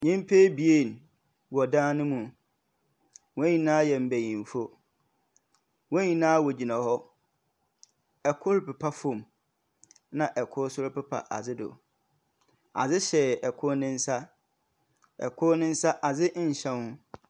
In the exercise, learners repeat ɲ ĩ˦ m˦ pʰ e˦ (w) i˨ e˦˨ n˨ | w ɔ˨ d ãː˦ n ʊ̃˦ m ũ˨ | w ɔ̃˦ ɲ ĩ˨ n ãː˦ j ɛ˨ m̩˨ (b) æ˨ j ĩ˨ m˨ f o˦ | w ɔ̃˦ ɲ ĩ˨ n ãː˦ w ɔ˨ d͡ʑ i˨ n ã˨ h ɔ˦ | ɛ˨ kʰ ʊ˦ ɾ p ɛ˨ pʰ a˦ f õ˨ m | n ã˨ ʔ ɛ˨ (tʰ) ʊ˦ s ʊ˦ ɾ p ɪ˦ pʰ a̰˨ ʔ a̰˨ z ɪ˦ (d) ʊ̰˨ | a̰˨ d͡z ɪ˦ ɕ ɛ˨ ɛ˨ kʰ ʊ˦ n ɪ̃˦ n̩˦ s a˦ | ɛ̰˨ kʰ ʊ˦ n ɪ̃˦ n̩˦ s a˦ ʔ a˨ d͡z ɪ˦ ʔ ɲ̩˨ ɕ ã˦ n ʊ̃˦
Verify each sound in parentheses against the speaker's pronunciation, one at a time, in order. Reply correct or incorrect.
incorrect: b, correct, incorrect: kʰ, correct

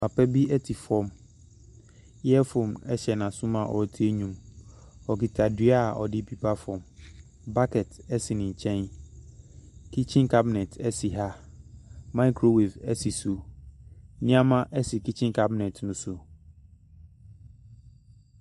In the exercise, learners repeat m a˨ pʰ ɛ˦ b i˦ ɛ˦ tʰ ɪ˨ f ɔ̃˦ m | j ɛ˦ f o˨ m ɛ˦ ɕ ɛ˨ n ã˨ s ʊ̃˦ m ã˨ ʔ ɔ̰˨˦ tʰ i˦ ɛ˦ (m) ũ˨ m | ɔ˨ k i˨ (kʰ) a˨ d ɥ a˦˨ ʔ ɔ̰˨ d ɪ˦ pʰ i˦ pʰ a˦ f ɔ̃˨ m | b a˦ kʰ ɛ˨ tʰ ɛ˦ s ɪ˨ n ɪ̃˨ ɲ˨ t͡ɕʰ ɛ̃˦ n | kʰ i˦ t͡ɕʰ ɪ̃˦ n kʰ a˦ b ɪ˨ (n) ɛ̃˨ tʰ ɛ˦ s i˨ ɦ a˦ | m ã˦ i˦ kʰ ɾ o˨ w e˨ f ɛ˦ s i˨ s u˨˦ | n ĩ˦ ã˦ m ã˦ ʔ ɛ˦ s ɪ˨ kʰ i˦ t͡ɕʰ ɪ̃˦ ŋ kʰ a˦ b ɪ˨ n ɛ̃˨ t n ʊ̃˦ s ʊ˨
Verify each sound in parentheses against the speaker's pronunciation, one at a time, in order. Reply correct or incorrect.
incorrect: ɲ, incorrect: tʰ, correct

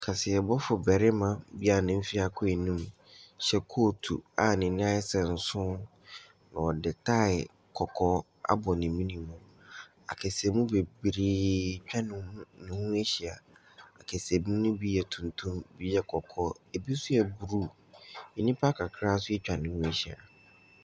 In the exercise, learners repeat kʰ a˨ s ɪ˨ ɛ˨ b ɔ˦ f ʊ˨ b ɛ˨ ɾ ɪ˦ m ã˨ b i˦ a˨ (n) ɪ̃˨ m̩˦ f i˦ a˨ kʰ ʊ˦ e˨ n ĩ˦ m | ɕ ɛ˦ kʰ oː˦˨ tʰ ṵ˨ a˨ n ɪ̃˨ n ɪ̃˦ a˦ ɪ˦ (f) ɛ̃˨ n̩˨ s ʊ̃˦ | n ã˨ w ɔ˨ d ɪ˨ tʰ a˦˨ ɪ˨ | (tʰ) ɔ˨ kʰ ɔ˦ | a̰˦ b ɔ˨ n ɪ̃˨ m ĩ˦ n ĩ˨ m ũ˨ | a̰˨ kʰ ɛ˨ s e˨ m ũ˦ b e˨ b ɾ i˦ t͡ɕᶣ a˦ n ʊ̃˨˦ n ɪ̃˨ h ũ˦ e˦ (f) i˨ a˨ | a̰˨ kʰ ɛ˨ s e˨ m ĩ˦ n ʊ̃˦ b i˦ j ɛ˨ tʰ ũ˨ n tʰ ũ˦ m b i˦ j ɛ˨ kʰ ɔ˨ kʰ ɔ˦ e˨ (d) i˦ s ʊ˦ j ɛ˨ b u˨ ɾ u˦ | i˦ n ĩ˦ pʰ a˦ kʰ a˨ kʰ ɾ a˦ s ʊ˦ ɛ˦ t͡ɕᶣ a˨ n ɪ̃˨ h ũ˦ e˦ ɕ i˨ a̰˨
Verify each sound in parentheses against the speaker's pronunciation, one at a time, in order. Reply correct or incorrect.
correct, incorrect: s, incorrect: kʰ, incorrect: ɕ, incorrect: b

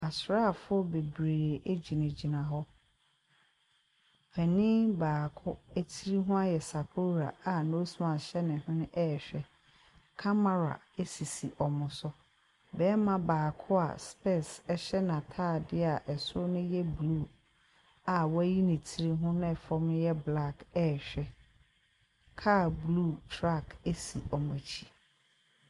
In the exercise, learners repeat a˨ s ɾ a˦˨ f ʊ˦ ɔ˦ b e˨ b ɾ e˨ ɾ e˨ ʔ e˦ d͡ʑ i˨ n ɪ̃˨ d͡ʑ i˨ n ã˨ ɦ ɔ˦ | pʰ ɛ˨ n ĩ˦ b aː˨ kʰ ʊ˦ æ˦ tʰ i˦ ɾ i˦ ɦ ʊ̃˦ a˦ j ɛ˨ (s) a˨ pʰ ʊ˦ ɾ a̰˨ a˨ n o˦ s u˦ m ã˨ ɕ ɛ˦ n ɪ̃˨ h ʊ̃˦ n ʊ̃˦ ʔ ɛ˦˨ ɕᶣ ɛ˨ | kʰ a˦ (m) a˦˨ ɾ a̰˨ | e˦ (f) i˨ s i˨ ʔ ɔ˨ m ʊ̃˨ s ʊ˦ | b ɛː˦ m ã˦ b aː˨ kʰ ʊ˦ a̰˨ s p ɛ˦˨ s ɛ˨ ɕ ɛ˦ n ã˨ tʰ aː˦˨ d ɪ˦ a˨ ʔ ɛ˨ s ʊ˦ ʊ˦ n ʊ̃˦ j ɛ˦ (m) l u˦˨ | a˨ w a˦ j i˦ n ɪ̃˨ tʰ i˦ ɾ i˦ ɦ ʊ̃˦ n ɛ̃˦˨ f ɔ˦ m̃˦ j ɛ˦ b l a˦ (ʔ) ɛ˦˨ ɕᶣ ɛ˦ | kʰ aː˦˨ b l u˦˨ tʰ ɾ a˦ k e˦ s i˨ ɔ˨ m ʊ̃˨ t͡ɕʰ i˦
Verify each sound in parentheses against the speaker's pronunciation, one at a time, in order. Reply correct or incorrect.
correct, correct, incorrect: s, incorrect: b, incorrect: k

